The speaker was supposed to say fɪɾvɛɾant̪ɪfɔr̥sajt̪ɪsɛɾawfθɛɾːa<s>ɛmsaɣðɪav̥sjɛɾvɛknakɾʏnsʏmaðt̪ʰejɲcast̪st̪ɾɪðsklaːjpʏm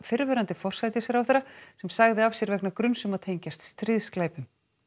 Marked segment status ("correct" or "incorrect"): correct